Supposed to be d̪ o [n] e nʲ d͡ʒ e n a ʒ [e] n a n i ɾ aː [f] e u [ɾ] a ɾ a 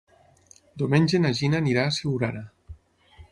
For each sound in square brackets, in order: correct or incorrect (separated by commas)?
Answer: incorrect, incorrect, incorrect, correct